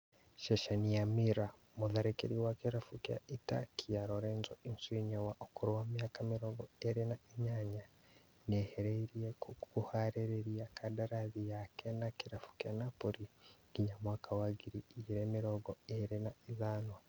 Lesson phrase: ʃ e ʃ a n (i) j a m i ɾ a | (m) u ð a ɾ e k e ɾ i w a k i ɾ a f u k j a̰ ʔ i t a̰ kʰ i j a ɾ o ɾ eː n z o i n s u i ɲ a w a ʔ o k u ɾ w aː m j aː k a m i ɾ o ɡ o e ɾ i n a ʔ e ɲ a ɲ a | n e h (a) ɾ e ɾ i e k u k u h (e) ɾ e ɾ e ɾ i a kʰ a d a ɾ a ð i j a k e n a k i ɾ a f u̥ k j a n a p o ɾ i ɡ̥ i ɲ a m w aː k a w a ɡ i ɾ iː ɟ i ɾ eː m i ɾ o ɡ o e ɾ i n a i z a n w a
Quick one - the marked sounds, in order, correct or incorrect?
correct, correct, incorrect: e, incorrect: a

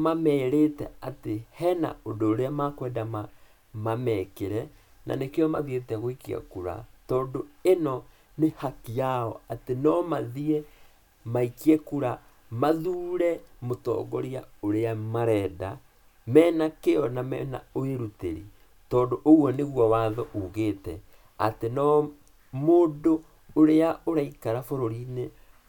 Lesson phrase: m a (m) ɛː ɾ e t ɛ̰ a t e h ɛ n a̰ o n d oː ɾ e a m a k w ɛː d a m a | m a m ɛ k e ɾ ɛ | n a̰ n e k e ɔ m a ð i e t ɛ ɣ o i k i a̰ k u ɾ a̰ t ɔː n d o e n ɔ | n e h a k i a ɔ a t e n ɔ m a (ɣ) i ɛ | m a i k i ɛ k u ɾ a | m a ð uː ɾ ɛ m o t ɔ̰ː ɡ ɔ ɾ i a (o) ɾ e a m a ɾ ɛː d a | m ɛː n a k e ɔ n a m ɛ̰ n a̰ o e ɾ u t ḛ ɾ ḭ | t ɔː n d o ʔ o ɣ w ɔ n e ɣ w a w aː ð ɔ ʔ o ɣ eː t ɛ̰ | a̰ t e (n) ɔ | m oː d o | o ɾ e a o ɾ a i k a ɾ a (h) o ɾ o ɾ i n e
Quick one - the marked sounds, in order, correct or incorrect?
correct, incorrect: ð, correct, correct, incorrect: f

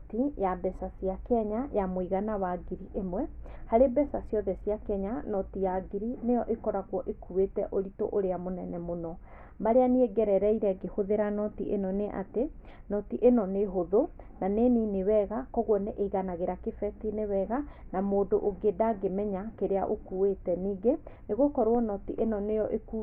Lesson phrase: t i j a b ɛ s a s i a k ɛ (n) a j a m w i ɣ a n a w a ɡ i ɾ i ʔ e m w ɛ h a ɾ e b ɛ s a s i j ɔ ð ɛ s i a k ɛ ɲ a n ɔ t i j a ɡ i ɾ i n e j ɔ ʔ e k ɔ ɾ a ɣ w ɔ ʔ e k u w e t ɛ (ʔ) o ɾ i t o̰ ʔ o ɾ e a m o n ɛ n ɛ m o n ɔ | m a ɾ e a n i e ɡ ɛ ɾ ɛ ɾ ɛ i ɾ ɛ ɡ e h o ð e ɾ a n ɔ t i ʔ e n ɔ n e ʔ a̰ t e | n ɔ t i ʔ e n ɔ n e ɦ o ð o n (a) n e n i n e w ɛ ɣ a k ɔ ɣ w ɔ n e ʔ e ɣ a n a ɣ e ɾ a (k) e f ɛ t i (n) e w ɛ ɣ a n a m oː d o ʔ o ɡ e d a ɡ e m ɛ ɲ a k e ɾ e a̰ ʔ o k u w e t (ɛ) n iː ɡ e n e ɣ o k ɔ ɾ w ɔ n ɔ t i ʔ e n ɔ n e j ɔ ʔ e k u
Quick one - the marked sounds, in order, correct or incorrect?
incorrect: ɲ, correct, correct, correct, correct, correct

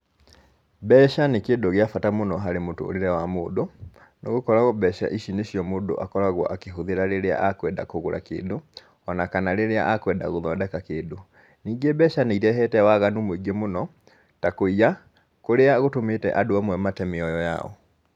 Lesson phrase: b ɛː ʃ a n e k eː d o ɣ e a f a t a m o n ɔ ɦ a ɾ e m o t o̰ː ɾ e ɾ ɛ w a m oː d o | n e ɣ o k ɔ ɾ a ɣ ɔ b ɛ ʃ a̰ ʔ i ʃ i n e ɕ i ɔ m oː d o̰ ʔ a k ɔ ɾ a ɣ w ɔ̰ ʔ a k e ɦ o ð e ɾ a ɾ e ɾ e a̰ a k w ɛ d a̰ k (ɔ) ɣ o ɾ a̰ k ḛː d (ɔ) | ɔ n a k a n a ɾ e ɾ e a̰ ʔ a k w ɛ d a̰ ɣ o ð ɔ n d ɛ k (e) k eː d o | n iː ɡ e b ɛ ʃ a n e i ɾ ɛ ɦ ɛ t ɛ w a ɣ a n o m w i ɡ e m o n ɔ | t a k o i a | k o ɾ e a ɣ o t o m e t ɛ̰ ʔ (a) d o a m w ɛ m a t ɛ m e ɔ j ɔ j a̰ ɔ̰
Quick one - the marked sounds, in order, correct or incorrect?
incorrect: o, incorrect: o, incorrect: a, correct

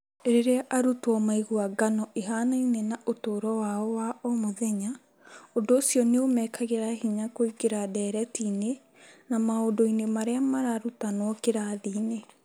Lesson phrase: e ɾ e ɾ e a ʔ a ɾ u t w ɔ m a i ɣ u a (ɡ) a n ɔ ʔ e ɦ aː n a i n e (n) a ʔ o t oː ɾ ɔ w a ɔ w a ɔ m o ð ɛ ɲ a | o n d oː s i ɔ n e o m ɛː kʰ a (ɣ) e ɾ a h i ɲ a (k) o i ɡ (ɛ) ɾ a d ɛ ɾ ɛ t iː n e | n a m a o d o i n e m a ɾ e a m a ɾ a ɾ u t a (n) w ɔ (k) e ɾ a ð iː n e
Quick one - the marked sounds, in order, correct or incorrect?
correct, correct, correct, correct, incorrect: e, correct, correct

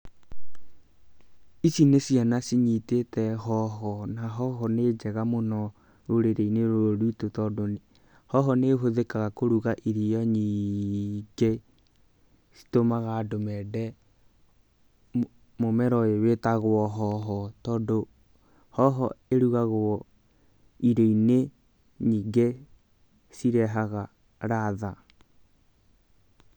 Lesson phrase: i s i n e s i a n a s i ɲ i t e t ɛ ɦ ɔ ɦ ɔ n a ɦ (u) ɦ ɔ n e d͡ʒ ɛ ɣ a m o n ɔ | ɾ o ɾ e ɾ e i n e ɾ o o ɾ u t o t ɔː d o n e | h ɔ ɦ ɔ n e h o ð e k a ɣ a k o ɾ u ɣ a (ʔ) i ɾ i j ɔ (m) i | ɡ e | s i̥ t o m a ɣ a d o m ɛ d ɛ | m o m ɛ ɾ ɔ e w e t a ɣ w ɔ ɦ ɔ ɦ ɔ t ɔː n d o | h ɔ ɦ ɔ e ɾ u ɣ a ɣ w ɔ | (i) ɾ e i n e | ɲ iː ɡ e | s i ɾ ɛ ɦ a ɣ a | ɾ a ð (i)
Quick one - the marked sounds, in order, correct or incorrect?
incorrect: ɔ, correct, incorrect: ɲ, correct, incorrect: a

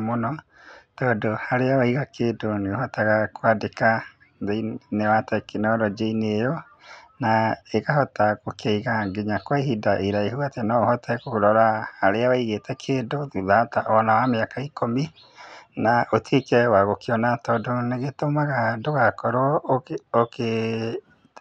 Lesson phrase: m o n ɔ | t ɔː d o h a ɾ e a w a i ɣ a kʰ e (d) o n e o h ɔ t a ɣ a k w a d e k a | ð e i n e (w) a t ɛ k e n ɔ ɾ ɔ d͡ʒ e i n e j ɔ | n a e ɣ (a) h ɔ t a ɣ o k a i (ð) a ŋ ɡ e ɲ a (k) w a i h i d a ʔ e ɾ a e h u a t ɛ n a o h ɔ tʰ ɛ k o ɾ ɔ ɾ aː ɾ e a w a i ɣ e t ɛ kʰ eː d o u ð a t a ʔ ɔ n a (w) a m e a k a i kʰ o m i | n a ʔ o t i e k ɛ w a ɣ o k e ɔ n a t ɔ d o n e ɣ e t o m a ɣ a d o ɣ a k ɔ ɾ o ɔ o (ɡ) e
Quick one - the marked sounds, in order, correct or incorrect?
correct, correct, correct, incorrect: ɣ, correct, correct, incorrect: k

